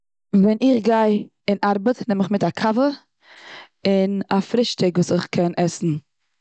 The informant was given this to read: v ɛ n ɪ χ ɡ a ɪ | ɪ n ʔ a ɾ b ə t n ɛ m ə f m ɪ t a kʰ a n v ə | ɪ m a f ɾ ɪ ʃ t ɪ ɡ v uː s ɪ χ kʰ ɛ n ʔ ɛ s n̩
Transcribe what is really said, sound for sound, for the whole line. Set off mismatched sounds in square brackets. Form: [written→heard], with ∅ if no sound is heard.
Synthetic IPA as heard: v ɛ n ɪ χ ɡ a ɪ | ɪ n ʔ a ɾ b ə t n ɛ m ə [f→χ] m ɪ t a kʰ a [n→∅] v ə | ɪ [m→n] a f ɾ ɪ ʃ t ɪ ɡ v uː s ɪ χ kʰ ɛ n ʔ ɛ s n̩

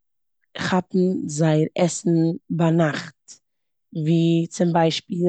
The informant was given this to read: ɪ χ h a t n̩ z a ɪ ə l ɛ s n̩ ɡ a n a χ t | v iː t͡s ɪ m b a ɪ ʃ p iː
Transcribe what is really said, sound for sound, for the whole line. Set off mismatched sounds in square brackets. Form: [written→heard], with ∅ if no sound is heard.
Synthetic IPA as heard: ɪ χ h a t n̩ z a ɪ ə [l→ɾ] ɛ s n̩ [ɡ→b] a n a χ t | v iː t͡s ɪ m b a ɪ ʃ p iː

